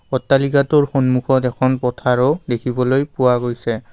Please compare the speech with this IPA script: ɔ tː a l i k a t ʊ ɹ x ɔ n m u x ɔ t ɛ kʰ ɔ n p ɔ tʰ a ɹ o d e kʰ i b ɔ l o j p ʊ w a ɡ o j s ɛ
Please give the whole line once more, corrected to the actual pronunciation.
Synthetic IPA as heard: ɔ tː a l i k a t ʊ ɹ x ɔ n m u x ɔ t ɛ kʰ ɔ n p ɔ tʰ a ɹ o d e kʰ i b ɔ l o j p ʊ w a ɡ o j s ɛ

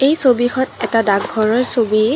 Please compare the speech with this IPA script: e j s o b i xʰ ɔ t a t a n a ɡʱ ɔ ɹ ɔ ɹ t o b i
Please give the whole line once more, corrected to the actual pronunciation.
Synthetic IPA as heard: e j s o b i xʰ ɔ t ɛ t a d a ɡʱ ɔ ɹ ɔ ɹ s o b i

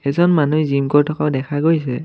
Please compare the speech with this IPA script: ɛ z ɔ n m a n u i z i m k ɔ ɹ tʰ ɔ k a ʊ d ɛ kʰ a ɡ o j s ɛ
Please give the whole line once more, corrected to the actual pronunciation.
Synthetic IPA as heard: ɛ z ɔ n m a n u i z i m k ɔ ɹ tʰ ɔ k a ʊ d ɛ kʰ a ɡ o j s ɛ

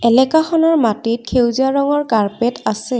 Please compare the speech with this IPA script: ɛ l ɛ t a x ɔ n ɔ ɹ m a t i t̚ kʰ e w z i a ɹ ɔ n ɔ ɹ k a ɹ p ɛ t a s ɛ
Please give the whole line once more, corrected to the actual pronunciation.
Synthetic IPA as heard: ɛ l ɛ k a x ɔ n ɔ ɹ m a t i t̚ kʰ e w z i a ɹ ɔ ŋ ɔ ɹ k a ɹ p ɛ t a s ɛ

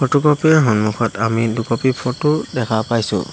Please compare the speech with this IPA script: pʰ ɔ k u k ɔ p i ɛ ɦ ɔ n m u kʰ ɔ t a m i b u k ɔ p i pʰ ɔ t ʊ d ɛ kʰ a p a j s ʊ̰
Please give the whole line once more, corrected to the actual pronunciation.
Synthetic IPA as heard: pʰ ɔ t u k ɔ p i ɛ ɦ ɔ n m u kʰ ɔ t a m i d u k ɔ p i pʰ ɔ t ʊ d ɛ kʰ a p a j s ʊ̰

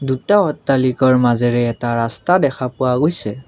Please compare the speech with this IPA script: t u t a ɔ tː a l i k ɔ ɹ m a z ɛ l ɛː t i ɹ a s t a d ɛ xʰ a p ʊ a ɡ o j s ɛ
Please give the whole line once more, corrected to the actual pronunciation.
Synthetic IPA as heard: d u t a ɔ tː a l i k ɔ ɹ m a z ɛ ɹ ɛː t a ɹ a s t a d ɛ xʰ a p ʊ a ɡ o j s ɛ

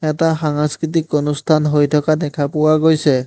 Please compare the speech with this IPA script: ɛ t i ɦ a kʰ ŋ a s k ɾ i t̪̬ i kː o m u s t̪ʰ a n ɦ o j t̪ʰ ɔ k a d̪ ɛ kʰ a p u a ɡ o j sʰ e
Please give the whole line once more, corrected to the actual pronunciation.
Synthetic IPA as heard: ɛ t a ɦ a ŋ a s k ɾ i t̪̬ i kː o n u s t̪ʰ a n ɦ o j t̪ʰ ɔ k a d̪ ɛ kʰ a p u a ɡ o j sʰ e

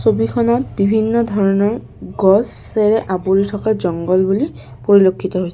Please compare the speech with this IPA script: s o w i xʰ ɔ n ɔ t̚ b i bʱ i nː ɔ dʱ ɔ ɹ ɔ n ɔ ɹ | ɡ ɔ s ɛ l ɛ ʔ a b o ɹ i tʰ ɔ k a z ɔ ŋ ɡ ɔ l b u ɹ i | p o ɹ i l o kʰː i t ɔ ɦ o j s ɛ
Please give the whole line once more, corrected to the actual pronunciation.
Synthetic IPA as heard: s o b i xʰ ɔ n ɔ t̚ b i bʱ i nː ɔ dʱ ɔ ɹ ɔ n ɔ ɹ | ɡ ɔ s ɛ ɹ ɛ ʔ a b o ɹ i tʰ ɔ k a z ɔ ŋ ɡ ɔ l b u l i | p o ɹ i l o kʰː i t ɔ ɦ o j s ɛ

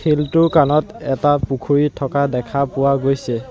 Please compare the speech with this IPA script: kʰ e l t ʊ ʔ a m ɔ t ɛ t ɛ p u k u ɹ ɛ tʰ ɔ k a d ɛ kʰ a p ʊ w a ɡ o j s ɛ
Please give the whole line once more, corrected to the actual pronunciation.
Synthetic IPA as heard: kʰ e l t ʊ k a n ɔ t ɛ t a p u kʰ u ɹ i tʰ ɔ k a d ɛ kʰ a p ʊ w a ɡ o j s ɛ

